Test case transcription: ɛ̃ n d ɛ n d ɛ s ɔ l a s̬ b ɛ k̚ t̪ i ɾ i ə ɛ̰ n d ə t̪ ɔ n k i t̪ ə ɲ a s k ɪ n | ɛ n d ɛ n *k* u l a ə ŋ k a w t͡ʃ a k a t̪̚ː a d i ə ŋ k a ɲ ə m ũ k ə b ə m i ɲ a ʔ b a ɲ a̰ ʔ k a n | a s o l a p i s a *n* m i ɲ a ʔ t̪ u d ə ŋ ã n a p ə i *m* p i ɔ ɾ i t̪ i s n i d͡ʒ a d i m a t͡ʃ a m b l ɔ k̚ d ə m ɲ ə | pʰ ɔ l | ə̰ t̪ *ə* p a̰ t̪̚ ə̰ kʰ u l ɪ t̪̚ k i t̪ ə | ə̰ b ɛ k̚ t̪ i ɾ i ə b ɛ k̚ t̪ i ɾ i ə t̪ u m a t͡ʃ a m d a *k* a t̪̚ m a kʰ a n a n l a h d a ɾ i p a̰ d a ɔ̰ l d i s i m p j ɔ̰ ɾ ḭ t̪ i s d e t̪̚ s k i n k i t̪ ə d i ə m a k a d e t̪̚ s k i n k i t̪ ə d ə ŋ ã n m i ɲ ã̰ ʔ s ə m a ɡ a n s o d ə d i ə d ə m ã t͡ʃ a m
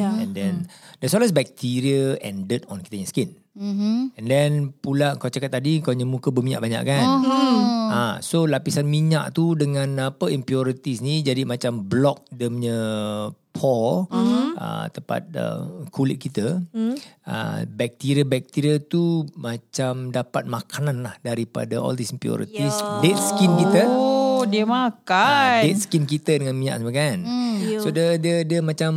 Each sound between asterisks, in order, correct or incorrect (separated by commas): incorrect, correct, correct, correct, incorrect